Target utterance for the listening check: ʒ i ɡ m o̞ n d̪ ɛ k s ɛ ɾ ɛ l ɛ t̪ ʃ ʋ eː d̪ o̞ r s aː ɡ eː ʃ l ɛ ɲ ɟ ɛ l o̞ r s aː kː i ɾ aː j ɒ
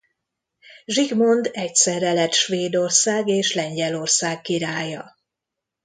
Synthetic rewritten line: ʒ i ɡ m o̞ n d̪ ɛ c s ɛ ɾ ɛ l ɛ t̪ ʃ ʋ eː d̪ o̞ r s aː ɡ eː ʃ l ɛ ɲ ɟ ɛ l o̞ r s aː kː i ɾ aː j ɒ